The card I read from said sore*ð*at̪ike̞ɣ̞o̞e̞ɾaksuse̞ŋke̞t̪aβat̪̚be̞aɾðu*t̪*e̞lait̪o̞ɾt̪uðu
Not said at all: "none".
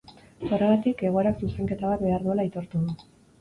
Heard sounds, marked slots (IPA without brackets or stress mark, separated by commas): ɣ, none